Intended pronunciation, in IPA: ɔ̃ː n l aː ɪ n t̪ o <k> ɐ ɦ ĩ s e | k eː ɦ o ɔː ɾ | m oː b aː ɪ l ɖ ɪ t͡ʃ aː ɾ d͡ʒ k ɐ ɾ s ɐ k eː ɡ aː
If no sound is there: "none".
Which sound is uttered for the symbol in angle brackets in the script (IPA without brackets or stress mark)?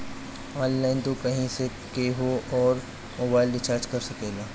k